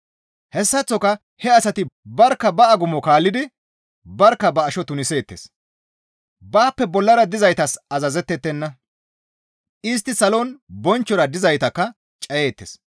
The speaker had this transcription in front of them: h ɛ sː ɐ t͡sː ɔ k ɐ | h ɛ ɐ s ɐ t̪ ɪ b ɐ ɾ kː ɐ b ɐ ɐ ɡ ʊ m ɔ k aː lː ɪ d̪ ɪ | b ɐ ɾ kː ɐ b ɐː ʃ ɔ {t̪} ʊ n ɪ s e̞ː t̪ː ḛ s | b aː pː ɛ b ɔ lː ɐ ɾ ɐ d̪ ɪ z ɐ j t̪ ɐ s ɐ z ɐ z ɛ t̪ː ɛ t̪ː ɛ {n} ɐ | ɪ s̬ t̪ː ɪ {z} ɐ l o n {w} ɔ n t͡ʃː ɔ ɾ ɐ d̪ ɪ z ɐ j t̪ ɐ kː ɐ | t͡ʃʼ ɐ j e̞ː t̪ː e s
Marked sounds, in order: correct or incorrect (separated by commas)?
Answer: correct, incorrect, incorrect, incorrect